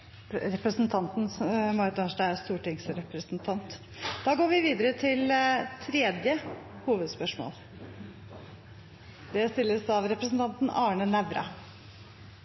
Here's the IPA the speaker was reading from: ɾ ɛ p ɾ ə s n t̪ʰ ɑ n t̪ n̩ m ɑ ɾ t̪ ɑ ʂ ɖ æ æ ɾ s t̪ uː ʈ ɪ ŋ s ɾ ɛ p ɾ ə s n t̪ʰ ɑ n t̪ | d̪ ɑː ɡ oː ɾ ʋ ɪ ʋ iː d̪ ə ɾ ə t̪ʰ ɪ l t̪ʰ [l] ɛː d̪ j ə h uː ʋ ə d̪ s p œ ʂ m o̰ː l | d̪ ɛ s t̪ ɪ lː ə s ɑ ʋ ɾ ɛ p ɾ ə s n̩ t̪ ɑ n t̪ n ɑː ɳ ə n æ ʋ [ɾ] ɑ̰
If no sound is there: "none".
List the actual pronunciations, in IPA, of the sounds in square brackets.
ɾ, ɾ

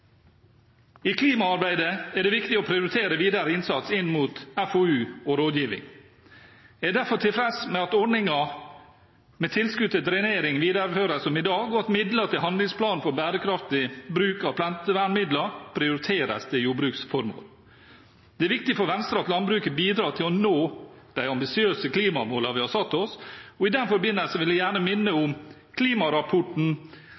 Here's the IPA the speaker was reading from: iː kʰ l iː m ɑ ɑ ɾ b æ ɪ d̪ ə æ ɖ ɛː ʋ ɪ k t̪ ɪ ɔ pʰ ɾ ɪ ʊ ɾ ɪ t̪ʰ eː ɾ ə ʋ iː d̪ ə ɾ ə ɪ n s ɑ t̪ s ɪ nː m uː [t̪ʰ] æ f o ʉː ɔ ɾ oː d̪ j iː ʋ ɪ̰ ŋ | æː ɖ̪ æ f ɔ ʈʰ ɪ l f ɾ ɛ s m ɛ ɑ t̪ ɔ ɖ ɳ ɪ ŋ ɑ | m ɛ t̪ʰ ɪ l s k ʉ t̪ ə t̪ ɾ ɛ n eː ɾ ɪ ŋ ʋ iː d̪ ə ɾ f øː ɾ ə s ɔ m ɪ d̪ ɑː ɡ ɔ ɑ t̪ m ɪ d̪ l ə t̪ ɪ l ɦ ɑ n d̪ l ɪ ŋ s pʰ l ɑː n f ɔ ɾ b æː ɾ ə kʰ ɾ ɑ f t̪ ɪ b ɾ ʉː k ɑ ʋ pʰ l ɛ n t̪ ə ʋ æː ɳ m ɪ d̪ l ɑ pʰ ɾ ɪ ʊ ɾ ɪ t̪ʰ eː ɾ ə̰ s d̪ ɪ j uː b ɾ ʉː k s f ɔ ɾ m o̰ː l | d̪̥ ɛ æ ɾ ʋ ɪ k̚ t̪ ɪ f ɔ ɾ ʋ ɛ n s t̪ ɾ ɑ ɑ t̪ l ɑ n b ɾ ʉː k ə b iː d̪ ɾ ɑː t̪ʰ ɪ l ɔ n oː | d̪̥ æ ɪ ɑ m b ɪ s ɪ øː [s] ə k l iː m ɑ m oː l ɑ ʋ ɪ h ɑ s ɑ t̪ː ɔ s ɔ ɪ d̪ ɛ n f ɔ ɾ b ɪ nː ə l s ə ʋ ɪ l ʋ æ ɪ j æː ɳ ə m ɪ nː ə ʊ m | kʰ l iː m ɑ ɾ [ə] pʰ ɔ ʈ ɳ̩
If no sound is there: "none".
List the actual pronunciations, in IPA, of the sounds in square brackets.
t̪, s, ɑ

